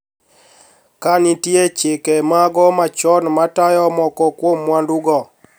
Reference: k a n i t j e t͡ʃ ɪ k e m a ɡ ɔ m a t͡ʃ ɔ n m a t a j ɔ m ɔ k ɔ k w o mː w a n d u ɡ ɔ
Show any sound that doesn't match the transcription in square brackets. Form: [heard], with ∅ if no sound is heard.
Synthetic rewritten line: k a n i t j e t͡ʃ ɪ k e m a ɡ ɔ m a t͡ʃ ɔ n m a t a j ɔ m ɔ k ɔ k w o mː w a n d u ɡ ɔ

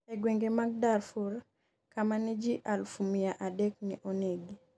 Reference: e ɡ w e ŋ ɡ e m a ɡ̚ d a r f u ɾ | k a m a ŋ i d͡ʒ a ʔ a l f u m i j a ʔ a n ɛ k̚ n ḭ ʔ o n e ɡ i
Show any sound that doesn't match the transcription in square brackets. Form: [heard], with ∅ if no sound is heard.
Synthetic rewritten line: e ɡ w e ŋ ɡ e m a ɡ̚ d a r f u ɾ | k a m a [n] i d͡ʒ [i] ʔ a l f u m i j a ʔ a [d] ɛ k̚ n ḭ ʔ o n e ɡ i

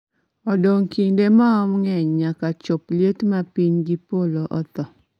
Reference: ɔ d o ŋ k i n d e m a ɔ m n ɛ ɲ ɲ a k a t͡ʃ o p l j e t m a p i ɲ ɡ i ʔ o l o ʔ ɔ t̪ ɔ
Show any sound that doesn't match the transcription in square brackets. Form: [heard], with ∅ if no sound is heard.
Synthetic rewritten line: ɔ d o ŋ k i n d e m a ɔ m [ŋ] ɛ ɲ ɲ a k a t͡ʃ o p l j e t m a p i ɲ ɡ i [p] o l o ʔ ɔ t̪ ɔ

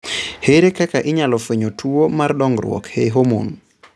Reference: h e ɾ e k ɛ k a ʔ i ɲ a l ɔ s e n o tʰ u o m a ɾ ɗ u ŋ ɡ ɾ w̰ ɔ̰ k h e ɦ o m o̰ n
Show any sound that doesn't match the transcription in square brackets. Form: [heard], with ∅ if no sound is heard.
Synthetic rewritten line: h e ɾ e k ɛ k a ʔ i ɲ a l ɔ [f] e [ɲ] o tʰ u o m a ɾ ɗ [ɔ] ŋ ɡ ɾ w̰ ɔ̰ k h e ɦ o m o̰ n

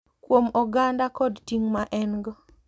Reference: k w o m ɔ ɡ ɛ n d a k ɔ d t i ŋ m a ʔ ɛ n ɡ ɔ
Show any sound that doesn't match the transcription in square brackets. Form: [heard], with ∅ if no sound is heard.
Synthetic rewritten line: k w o m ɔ ɡ [a] n d a k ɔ d t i ŋ m a ʔ ɛ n ɡ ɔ

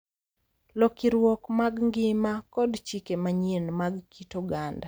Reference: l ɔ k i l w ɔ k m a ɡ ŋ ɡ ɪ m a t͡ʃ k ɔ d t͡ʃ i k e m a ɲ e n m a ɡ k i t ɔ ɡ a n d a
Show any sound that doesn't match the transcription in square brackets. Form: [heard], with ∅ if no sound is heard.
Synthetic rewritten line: l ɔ k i [ɾ] w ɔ k m a ɡ ŋ ɡ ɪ m a [∅] k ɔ d t͡ʃ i k e m a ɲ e n m a ɡ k i t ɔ ɡ a n d a

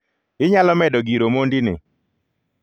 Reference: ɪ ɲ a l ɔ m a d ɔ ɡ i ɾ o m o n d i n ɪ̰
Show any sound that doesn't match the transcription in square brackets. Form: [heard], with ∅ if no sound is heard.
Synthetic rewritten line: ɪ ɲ a l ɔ m [ɛ] d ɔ ɡ i ɾ o m o n d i n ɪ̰

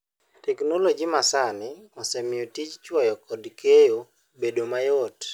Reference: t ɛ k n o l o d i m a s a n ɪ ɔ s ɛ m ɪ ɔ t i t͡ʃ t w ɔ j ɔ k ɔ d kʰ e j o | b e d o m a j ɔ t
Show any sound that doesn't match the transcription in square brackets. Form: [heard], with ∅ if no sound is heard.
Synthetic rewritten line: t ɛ k n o l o [d͡ʒ] i m a s a n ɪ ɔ s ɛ m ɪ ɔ t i t͡ʃ [t͡ʃ] w ɔ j ɔ k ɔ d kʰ e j o | b e d o m a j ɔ t

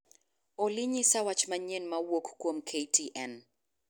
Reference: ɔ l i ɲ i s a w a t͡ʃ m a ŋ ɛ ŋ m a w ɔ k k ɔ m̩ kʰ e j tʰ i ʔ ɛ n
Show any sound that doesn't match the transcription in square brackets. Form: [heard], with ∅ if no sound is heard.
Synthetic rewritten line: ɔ l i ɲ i s a w a t͡ʃ m a [ɲ] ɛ [n] m a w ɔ k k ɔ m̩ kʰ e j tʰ i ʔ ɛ n

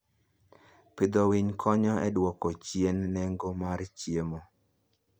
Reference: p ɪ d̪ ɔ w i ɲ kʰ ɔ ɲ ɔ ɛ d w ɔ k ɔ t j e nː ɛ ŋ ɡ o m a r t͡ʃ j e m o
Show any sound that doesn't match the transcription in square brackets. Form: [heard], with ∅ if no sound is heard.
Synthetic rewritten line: p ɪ d̪ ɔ w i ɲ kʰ ɔ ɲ ɔ ɛ d w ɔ k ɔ [t͡ʃ] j e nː ɛ ŋ ɡ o m a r t͡ʃ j e m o

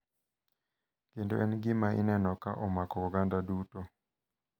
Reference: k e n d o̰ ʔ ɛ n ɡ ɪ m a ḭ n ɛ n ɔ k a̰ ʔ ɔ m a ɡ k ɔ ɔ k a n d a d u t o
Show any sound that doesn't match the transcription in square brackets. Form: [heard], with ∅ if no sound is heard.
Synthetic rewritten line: k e n d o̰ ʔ ɛ n ɡ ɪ m a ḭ n ɛ n ɔ k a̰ ʔ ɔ m a [∅] k ɔ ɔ [ɡ] a n d a d u t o

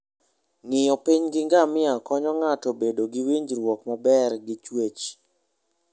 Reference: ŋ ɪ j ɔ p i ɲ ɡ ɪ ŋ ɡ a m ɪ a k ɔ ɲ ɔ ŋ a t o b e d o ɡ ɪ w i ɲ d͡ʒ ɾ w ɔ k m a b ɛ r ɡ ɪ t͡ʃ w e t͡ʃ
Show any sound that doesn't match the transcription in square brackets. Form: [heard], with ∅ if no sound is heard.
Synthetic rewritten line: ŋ ɪ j ɔ p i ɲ ɡ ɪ ŋ ɡ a m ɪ a k ɔ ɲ ɔ ŋ a t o b e d o ɡ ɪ w i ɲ d͡ʒ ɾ w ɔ k m a b ɛ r ɡ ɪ t͡ʃ w e t͡ʃ

